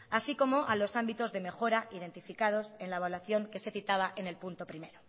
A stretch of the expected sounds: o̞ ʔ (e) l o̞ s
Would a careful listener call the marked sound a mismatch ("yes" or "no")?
yes